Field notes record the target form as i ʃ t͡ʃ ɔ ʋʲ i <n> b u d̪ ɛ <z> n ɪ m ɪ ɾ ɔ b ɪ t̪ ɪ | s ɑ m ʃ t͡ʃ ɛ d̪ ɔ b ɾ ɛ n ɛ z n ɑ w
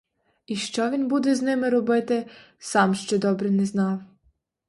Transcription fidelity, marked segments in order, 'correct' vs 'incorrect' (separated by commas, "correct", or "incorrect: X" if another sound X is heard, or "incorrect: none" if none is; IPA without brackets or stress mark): correct, correct